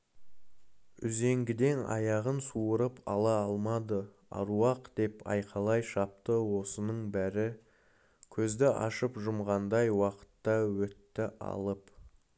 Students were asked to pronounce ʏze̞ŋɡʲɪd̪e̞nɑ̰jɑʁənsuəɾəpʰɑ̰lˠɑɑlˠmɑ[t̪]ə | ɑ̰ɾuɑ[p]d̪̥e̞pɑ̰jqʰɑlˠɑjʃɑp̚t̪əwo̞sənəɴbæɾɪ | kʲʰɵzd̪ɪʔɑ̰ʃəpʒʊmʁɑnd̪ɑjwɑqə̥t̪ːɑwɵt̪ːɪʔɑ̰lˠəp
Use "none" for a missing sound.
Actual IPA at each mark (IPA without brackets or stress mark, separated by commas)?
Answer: d̪, q